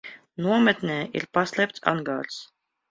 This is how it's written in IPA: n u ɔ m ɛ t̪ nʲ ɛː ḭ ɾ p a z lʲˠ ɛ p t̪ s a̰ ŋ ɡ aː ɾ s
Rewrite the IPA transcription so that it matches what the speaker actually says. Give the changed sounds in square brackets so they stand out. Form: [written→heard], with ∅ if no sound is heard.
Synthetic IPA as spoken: n u ɔ m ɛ t̪ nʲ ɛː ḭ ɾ p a [z→s] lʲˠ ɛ p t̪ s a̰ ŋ ɡ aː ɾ s

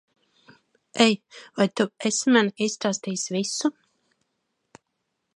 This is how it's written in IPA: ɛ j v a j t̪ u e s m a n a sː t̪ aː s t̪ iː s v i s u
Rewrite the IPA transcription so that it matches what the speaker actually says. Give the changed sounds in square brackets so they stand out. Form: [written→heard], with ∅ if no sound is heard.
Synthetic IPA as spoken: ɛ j v a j t̪ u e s m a n [a→i] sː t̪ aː s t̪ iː s v i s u

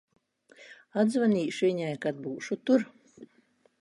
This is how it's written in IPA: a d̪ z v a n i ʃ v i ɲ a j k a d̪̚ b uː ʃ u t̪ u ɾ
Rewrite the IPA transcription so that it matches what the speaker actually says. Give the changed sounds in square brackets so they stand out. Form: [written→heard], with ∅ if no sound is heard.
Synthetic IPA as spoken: a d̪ z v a n [i→iː] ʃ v i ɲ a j k a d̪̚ b uː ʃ u t̪ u ɾ

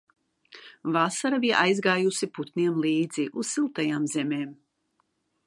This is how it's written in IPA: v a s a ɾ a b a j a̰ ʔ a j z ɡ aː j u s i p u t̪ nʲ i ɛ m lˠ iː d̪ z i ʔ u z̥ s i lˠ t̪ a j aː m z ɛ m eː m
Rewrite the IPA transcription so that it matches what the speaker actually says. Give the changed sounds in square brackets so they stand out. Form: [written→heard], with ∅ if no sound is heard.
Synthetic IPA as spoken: v a s a ɾ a b [a→i] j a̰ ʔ a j z ɡ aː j u s i p u t̪ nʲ i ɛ m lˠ iː d̪ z i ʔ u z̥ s i lˠ t̪ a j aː m z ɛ m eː m

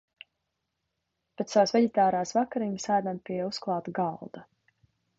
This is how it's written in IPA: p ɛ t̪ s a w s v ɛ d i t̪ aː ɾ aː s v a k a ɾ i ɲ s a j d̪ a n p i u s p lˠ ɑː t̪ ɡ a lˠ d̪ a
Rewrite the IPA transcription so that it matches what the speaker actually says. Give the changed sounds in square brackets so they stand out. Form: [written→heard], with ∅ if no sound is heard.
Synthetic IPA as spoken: p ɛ t̪ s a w s v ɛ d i t̪ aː ɾ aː s v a k a ɾ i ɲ s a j d̪ a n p i u s [p→k] lˠ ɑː t̪ ɡ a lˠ d̪ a

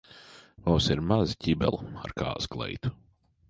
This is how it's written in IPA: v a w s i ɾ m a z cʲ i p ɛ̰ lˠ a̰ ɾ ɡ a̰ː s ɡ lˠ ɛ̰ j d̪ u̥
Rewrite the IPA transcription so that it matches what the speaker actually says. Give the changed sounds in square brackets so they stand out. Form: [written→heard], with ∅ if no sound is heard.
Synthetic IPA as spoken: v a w s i ɾ m a z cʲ i [p→b] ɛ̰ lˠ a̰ ɾ [ɡ→k] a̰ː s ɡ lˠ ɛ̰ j [d̪→t̪] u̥

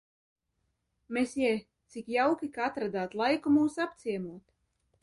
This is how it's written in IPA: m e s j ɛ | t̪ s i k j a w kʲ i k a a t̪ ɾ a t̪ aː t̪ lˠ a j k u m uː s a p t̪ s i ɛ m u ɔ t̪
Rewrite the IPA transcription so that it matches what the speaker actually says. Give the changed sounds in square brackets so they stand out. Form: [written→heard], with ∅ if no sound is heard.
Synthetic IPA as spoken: m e s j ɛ | t̪ s i k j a w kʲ i k a a t̪ ɾ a [t̪→d̪] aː t̪ lˠ a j k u m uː s a p t̪ s i ɛ m u ɔ t̪

